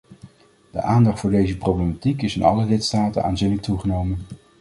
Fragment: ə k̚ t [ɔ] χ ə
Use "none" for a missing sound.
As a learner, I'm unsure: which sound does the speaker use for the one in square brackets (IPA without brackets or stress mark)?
u